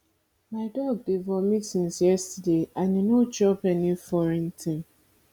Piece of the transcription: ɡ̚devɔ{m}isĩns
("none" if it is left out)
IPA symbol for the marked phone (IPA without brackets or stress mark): m